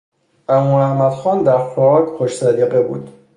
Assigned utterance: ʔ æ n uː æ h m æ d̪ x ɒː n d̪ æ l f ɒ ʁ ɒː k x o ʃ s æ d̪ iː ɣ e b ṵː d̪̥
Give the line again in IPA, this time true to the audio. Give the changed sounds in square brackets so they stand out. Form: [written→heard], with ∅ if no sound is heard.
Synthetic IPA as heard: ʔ æ [n→m] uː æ h m æ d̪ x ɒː n d̪ æ [l→ɾ] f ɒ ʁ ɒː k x o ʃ s æ d̪ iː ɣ e b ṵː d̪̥

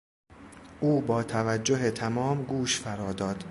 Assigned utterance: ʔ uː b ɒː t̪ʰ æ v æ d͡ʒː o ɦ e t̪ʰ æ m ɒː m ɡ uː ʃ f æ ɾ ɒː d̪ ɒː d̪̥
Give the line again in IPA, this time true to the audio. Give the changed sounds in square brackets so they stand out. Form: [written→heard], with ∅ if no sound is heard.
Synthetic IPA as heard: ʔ uː b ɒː t̪ʰ æ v æ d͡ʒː o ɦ e t̪ʰ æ m ɒː m ɡ uː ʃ f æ ɾ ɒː d̪ ɒː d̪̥

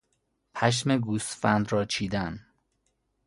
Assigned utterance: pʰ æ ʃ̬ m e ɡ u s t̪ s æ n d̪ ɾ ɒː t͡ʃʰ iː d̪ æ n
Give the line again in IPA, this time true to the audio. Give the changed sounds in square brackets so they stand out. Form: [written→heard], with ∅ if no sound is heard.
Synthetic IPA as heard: pʰ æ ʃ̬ m e ɡ u s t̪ [s→f] æ n d̪ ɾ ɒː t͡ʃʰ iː d̪ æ n

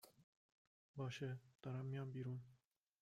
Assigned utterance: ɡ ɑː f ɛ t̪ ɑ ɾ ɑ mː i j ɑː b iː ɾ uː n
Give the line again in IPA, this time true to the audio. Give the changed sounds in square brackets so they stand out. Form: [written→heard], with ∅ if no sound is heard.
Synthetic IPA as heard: [ɡ→b] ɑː [f→ʃ] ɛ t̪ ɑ ɾ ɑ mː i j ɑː b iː ɾ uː n

